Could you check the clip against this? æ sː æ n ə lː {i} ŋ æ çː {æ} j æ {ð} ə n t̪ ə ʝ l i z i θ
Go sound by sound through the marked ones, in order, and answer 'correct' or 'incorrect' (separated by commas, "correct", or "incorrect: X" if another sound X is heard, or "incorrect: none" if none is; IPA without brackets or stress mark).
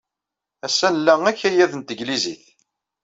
incorrect: æ, correct, correct